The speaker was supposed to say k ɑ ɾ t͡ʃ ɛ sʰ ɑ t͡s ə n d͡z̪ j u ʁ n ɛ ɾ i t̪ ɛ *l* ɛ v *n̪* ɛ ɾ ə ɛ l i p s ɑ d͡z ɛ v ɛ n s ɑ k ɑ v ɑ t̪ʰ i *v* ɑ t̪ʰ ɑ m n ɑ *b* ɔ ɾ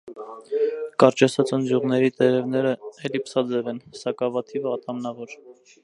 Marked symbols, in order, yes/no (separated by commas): no, yes, yes, no